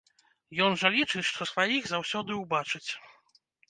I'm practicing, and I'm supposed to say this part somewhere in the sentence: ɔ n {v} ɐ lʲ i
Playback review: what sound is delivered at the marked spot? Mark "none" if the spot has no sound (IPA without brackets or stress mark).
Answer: ʐ